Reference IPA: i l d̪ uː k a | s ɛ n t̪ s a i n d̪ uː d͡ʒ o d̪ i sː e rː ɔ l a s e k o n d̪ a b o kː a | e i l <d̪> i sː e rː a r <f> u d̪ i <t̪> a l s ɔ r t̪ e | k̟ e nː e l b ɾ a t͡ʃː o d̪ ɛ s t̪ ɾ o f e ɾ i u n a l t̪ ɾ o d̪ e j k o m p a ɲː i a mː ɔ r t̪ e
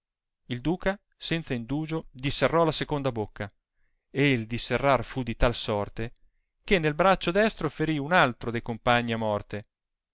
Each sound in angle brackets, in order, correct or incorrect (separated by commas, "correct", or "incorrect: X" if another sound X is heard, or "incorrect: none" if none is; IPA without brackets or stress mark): correct, correct, correct